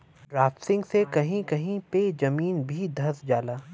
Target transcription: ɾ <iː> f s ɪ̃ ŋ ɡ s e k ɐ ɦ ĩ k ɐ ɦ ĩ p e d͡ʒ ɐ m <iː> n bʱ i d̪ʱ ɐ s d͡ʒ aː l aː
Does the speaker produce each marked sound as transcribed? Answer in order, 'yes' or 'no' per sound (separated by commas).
no, yes